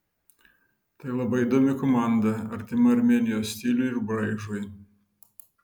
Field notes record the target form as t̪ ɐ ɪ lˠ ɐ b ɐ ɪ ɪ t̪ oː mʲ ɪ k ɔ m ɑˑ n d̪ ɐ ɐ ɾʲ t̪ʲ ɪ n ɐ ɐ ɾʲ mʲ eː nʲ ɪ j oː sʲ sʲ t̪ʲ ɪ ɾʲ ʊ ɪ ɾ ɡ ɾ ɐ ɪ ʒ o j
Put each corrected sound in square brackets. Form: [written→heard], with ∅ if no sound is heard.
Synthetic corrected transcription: t̪ ɐ ɪ lˠ ɐ b ɐ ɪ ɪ [t̪→d̪] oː mʲ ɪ k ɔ m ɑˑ n d̪ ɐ ɐ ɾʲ t̪ʲ ɪ [n→m] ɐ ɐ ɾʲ mʲ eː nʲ ɪ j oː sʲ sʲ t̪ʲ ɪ [ɾʲ→lʲ] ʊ ɪ ɾ [ɡ→b] ɾ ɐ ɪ ʒ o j